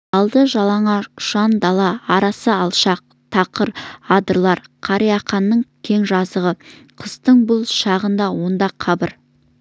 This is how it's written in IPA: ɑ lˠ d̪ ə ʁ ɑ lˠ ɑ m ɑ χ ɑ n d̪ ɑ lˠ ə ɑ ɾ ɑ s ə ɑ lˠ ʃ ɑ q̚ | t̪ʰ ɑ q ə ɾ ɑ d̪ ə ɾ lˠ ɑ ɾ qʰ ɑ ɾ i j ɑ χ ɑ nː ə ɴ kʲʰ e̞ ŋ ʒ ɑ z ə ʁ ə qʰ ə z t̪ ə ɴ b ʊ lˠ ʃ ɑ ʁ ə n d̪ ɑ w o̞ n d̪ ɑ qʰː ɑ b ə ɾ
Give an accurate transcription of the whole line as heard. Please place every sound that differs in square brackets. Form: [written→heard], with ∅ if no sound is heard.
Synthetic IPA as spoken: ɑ lˠ d̪ ə [ʁ→ʒ] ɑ lˠ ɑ [m→ɴ] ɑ [χ→ʃ] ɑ n d̪ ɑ lˠ [ə→ɑ] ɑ ɾ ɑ s ə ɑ lˠ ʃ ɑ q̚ | t̪ʰ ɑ q ə ɾ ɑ d̪ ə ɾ lˠ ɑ ɾ qʰ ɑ ɾ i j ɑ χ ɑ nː ə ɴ kʲʰ e̞ ŋ ʒ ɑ z ə ʁ ə qʰ ə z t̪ ə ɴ b ʊ lˠ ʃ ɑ ʁ ə n d̪ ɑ w o̞ n d̪ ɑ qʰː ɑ b ə ɾ

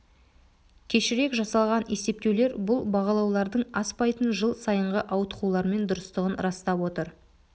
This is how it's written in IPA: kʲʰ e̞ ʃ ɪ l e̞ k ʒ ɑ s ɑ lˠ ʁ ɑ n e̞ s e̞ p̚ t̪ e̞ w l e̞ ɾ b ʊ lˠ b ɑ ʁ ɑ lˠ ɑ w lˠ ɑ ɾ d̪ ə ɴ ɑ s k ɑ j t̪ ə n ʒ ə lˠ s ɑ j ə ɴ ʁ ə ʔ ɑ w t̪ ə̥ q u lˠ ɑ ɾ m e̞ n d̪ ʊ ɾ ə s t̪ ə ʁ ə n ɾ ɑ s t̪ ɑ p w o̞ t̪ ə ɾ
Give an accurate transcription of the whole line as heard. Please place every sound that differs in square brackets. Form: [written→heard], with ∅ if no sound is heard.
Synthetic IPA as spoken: kʲʰ e̞ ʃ ɪ [l→ɾ] e̞ k ʒ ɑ s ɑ lˠ ʁ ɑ n e̞ s e̞ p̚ t̪ e̞ w l e̞ ɾ b ʊ lˠ b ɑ ʁ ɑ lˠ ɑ w lˠ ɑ ɾ d̪ ə ɴ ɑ s [k→p] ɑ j t̪ ə n ʒ ə lˠ s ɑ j ə ɴ ʁ ə ʔ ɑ w t̪ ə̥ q u lˠ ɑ ɾ m e̞ n d̪ ʊ ɾ ə s t̪ ə ʁ ə n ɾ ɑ s t̪ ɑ p w o̞ t̪ ə ɾ

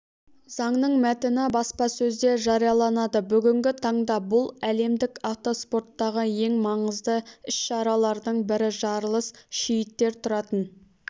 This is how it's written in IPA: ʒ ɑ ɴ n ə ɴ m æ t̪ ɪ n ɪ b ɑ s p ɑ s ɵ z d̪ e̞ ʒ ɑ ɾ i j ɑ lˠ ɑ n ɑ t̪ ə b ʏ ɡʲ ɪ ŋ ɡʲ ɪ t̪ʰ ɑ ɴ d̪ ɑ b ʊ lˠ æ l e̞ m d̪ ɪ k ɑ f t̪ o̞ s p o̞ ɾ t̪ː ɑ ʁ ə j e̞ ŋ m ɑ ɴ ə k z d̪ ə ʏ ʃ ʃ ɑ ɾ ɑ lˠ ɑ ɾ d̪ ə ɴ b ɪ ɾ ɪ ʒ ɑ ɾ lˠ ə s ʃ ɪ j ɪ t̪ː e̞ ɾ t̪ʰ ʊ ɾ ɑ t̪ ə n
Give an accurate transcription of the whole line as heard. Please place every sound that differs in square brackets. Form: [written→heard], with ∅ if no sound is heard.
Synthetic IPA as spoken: [ʒ→z] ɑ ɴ n ə ɴ m æ t̪ ɪ n ɪ b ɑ s p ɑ s ɵ z d̪ e̞ ʒ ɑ ɾ i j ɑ lˠ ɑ n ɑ [t̪→d̪] ə b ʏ ɡʲ ɪ ŋ ɡʲ ɪ t̪ʰ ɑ ɴ d̪ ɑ b ʊ lˠ æ l e̞ m d̪ ɪ k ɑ f t̪ o̞ s p o̞ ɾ t̪ː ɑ ʁ ə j e̞ ŋ m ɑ ɴ ə [k→∅] z d̪ ə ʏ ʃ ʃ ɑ ɾ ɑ lˠ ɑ ɾ d̪ ə ɴ b ɪ ɾ ɪ ʒ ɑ ɾ lˠ ə s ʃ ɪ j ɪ t̪ː e̞ ɾ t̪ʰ ʊ ɾ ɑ t̪ ə n

